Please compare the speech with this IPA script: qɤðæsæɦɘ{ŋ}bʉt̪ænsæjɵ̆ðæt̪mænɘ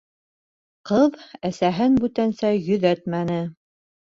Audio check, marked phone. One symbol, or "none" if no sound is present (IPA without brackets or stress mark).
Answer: n